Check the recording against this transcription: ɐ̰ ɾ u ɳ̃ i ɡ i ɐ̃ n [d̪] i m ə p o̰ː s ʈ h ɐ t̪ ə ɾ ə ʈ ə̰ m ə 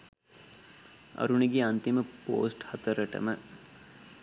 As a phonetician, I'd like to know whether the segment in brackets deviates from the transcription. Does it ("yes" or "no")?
yes